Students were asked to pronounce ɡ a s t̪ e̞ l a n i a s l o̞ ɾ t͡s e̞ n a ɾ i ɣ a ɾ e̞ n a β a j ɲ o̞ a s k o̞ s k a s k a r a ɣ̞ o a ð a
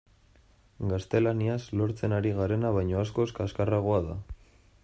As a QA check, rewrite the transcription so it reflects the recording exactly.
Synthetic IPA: ɡ a s t̪ e̞ l a n i a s l o̞ ɾ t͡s e̞ n a ɾ i ɣ a ɾ e̞ n a β a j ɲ o̞ a s k o̞ s k a s k a r a ɣ̞ o a ð a